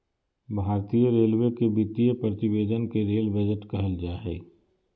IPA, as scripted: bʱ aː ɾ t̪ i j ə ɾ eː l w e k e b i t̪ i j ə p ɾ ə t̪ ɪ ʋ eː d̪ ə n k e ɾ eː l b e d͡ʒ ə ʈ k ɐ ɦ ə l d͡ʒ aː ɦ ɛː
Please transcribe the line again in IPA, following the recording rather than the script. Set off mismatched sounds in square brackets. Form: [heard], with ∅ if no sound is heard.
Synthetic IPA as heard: bʱ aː ɾ t̪ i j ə ɾ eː l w e k e b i t̪ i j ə p ɾ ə t̪ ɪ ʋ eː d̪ ə n k e ɾ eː l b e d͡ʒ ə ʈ k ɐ ɦ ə l d͡ʒ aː ɦ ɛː